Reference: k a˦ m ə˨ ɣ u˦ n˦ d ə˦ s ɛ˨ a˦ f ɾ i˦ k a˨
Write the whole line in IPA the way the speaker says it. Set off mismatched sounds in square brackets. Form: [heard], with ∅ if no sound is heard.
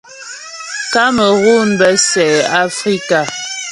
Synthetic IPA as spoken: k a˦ m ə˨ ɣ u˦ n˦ [b] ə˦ s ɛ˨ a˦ f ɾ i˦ k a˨